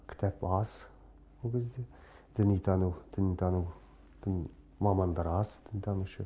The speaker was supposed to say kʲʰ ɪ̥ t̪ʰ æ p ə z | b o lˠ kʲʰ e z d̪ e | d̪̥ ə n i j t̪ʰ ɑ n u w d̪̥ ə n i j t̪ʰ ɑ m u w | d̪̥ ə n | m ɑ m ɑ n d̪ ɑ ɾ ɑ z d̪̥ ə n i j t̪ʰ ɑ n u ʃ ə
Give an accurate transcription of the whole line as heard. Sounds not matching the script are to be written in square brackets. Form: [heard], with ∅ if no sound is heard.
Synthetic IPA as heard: kʲʰ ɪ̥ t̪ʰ æ p [ɑ] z | [w] o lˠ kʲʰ e z d̪ e | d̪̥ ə n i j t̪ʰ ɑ n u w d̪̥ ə n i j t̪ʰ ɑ [n] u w | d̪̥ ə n | m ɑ m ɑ n d̪ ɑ ɾ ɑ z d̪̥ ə n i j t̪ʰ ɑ n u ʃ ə